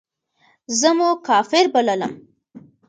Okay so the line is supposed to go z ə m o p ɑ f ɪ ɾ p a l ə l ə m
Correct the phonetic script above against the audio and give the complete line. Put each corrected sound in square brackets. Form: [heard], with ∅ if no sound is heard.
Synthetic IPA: z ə m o [k] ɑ f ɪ ɾ [b] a l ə l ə m